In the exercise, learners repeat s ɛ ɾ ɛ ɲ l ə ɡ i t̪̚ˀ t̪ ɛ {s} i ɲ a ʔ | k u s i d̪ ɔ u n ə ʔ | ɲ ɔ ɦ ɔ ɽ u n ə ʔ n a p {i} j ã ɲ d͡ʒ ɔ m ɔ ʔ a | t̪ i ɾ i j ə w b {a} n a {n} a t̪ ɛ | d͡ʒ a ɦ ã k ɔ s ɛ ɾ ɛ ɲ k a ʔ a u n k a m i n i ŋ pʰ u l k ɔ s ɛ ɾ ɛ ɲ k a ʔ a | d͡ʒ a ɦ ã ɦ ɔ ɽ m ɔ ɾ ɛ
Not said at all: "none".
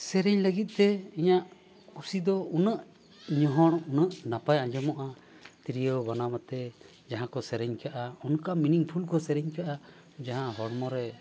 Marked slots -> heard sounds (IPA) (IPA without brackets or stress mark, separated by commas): none, a, a, m